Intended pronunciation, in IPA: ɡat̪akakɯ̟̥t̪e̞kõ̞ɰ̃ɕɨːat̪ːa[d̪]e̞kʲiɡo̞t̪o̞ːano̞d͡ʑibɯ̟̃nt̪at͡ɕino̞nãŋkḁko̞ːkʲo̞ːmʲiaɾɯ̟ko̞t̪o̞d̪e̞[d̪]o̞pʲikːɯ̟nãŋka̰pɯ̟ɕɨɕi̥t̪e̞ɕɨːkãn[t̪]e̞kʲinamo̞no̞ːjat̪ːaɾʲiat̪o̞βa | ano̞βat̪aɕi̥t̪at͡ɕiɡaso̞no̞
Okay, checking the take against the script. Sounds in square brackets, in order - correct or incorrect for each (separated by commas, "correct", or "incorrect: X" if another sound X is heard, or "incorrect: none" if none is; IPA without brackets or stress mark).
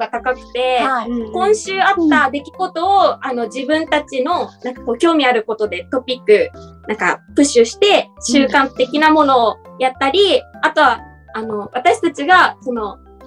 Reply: correct, incorrect: t̪, correct